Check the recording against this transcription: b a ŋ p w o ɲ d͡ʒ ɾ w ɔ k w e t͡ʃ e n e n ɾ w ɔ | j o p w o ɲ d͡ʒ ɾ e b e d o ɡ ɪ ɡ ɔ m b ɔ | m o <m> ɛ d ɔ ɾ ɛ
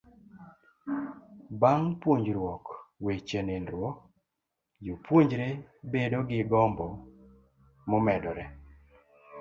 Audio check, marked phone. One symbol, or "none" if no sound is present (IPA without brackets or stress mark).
m